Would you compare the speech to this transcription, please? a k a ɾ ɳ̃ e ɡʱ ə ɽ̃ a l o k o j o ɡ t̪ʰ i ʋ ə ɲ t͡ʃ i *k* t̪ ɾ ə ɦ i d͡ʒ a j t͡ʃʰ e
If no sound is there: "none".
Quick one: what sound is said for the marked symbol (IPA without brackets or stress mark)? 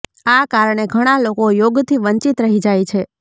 none